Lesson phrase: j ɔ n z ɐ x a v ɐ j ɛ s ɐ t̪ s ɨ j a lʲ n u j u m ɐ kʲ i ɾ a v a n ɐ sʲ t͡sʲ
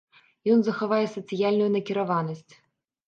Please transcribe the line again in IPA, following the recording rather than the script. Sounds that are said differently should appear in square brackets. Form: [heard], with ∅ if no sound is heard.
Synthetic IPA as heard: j ɔ n z ɐ x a v [a] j ɛ s ɐ t̪ s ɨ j a lʲ n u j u [n] ɐ kʲ i ɾ a v a n ɐ sʲ t͡sʲ

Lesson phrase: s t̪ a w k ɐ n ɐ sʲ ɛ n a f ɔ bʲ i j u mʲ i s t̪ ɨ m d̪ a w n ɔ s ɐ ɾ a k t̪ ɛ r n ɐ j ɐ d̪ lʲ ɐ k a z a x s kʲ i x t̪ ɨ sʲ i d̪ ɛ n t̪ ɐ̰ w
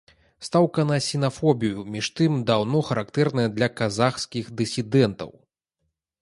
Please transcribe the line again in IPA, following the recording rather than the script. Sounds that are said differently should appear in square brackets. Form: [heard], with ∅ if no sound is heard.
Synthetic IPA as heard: s t̪ a w k ɐ n ɐ sʲ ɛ n a f ɔ bʲ i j u mʲ i [ʂ] t̪ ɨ m d̪ a w n ɔ [x] ɐ ɾ a k t̪ ɛ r n ɐ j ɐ d̪ lʲ ɐ k a z a x s kʲ i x [d̪] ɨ sʲ i d̪ ɛ n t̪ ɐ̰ w

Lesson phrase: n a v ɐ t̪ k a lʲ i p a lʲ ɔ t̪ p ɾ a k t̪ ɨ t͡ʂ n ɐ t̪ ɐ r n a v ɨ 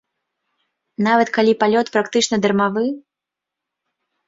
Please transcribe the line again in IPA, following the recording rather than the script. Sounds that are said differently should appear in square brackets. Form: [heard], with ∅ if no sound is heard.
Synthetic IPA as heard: n a v ɐ t̪ k a lʲ i p a lʲ ɔ t̪ p ɾ a k t̪ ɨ t͡ʂ n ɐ [d̪] ɐ r [m] a v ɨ

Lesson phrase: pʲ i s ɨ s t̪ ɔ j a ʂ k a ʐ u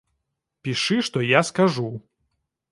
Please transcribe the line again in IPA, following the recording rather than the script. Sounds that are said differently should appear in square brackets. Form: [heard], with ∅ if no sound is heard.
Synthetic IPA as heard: pʲ i [ʂ] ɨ [ʂ] t̪ ɔ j a [s] k a ʐ u

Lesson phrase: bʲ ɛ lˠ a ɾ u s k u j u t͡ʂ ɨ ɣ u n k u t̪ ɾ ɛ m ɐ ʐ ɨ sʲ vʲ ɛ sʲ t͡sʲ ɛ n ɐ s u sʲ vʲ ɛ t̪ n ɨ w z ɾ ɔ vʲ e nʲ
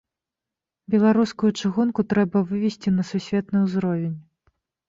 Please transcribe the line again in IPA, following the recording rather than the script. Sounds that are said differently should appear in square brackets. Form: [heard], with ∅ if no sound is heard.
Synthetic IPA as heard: bʲ ɛ lˠ a ɾ u s k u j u t͡ʂ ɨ ɣ u n k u t̪ ɾ ɛ [b] ɐ [v] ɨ [∅] vʲ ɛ sʲ t͡sʲ [i] n ɐ s u sʲ vʲ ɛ t̪ n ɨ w z ɾ ɔ vʲ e nʲ

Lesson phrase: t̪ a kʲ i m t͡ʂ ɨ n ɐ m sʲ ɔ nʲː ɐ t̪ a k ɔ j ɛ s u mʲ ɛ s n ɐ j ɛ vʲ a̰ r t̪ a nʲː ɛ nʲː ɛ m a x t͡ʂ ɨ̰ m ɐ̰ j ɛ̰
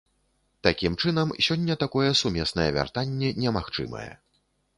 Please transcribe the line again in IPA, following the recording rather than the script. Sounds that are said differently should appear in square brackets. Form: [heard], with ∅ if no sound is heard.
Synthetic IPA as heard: t̪ a kʲ i m t͡ʂ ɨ n ɐ m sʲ ɔ nʲː ɐ t̪ a k ɔ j ɛ s u mʲ ɛ s n ɐ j ɛ vʲ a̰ r t̪ a nʲː ɛ [nʲ] ɛ m a x t͡ʂ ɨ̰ m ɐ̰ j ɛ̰

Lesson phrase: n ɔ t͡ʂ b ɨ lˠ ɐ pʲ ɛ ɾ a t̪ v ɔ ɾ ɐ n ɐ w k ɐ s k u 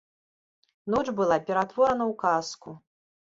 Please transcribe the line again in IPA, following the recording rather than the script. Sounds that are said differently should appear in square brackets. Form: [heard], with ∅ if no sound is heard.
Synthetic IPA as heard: n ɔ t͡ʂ b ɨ lˠ [a] pʲ ɛ ɾ a t̪ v ɔ ɾ ɐ n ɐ w k [a] s k u

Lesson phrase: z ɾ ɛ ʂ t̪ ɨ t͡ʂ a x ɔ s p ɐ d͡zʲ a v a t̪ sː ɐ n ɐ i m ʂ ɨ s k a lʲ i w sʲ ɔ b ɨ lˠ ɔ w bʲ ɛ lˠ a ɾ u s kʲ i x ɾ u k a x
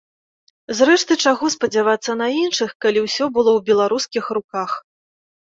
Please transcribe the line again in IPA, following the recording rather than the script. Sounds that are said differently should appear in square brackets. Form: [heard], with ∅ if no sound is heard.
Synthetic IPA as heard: z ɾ ɛ ʂ t̪ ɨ t͡ʂ a [ɣ] ɔ s p ɐ d͡zʲ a v a t̪ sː ɐ n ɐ i [n] ʂ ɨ [x] k a lʲ i w sʲ ɔ b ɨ lˠ ɔ w bʲ ɛ lˠ a ɾ u s kʲ i x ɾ u k a x

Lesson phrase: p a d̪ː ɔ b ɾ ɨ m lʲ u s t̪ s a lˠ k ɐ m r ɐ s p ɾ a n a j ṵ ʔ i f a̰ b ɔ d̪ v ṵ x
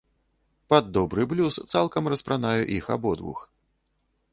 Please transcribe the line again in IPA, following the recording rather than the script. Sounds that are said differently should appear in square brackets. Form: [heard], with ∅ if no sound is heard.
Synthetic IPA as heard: p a d̪ː ɔ b ɾ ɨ [b] lʲ u s t̪ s a lˠ k ɐ m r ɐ s p ɾ a n a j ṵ ʔ i [x] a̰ b ɔ d̪ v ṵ x

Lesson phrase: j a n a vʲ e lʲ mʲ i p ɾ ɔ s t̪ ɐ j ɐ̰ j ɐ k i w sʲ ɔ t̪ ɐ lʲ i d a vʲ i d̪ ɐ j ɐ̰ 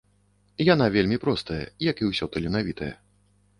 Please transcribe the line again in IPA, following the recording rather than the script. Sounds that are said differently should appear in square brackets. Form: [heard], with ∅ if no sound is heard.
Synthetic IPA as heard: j a n a vʲ e lʲ mʲ i p ɾ ɔ s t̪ ɐ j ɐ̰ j ɐ k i w sʲ ɔ t̪ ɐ lʲ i [n] a vʲ i [t̪] ɐ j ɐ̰

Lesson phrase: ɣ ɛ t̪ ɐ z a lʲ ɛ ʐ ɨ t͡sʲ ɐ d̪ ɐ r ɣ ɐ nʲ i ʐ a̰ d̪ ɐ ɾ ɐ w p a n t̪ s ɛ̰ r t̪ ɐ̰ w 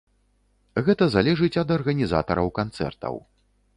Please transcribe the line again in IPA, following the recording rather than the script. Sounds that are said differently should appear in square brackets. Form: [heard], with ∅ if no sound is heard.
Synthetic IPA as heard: ɣ ɛ t̪ ɐ z a lʲ ɛ ʐ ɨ t͡sʲ ɐ d̪ ɐ r ɣ ɐ nʲ i [z] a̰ [t̪] ɐ ɾ ɐ w [k] a n t̪ s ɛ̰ r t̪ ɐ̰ w

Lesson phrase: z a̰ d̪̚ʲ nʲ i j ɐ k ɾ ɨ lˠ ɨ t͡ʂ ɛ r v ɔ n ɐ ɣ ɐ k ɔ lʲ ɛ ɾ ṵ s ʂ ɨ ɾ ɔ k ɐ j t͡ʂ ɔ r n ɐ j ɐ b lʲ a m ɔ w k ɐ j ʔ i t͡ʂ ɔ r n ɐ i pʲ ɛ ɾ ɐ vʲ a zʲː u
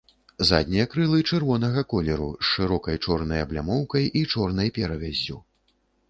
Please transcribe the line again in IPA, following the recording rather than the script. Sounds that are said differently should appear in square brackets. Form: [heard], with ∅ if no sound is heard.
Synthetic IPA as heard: z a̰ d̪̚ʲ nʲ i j ɐ k ɾ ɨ lˠ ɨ t͡ʂ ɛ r v ɔ n ɐ ɣ ɐ k ɔ lʲ ɛ ɾ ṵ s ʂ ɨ ɾ ɔ k ɐ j t͡ʂ ɔ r n ɐ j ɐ b lʲ a m ɔ w k ɐ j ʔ i t͡ʂ ɔ r n ɐ [j] pʲ ɛ ɾ ɐ vʲ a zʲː u

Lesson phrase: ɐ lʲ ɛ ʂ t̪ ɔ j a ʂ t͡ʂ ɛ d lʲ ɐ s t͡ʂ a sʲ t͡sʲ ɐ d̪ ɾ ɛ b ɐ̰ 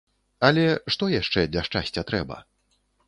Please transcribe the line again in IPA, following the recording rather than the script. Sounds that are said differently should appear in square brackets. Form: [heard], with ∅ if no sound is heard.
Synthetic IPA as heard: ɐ lʲ ɛ ʂ t̪ ɔ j a ʂ t͡ʂ ɛ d lʲ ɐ [ʂ] t͡ʂ a sʲ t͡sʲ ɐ [t̪] ɾ ɛ b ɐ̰

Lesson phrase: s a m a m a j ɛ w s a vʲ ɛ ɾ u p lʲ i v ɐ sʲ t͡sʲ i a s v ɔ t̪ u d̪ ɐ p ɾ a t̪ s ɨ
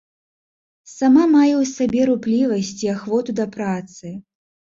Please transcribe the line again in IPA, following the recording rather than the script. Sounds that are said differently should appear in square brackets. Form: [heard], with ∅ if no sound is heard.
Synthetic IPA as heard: s a m a m a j ɛ w s a [bʲ] ɛ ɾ u p lʲ i v ɐ sʲ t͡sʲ i a [x] v ɔ t̪ u d̪ ɐ p ɾ a t̪ s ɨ

